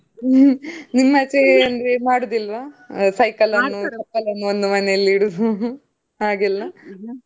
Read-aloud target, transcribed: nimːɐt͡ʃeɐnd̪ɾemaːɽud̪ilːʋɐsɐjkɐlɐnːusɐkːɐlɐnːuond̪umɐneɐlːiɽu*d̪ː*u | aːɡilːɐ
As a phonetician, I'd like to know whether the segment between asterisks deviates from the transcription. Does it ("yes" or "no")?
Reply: yes